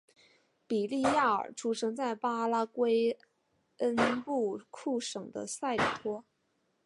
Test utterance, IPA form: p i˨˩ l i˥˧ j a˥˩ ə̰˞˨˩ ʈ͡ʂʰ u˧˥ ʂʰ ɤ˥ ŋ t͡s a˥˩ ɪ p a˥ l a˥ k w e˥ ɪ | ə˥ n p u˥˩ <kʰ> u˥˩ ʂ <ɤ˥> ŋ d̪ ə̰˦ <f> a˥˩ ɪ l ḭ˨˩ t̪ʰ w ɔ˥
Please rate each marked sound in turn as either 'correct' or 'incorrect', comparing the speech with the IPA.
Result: correct, incorrect: ɤ˨˩, incorrect: s

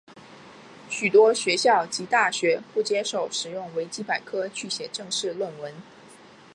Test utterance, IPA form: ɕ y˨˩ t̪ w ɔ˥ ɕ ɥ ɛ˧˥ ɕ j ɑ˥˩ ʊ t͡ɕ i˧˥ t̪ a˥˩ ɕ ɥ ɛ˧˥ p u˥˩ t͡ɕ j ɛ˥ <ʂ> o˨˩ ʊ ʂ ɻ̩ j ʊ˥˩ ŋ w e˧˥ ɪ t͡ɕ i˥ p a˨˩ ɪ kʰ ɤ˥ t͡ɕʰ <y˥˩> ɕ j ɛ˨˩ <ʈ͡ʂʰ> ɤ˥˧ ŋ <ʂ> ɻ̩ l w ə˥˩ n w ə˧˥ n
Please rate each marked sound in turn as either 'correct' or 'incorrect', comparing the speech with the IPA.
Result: correct, correct, incorrect: ʈ͡ʂ, correct

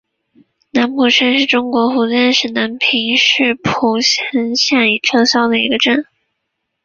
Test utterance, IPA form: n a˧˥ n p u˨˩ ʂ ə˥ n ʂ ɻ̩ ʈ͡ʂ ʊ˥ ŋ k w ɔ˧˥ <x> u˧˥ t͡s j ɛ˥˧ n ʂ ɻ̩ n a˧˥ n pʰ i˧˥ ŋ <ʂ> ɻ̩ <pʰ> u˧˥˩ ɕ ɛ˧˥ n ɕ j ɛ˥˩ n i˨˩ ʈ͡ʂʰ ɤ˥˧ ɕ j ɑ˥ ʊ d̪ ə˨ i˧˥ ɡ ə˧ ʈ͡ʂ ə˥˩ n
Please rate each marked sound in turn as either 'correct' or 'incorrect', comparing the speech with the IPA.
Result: correct, correct, correct

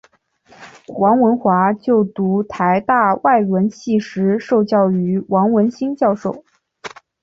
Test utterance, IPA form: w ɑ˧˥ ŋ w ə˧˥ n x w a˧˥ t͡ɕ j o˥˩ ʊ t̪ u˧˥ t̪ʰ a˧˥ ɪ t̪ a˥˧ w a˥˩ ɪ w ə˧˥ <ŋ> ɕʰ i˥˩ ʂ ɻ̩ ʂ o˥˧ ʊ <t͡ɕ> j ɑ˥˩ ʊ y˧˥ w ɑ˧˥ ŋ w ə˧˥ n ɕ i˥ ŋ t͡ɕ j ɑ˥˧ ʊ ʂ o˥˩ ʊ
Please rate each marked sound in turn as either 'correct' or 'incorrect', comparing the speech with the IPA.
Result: incorrect: n, correct

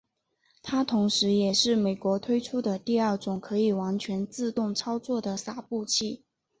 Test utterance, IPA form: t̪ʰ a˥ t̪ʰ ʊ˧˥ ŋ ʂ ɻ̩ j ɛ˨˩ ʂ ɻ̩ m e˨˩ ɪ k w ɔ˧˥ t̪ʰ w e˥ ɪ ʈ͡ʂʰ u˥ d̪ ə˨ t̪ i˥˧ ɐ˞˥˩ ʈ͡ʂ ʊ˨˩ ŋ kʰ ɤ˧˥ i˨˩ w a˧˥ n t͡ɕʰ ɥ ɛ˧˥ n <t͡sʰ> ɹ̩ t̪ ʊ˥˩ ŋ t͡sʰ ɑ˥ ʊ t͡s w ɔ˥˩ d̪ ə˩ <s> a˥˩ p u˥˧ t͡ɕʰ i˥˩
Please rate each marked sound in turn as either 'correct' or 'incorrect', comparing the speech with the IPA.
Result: incorrect: t͡s, correct

